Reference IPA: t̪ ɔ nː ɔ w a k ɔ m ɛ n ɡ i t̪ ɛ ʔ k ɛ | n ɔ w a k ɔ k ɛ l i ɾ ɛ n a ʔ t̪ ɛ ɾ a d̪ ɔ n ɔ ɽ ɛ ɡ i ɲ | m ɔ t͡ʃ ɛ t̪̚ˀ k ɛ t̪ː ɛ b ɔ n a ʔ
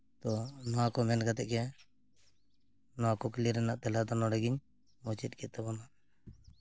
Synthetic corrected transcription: t̪ ɔ n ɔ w a k ɔ m ɛ n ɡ a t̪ ɛ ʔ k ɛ | n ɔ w a k ɔ k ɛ l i ɾ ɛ n a ʔ t̪ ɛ l a d̪ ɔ n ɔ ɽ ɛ ɡ i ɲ | m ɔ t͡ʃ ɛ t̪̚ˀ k ɛ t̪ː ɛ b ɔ n a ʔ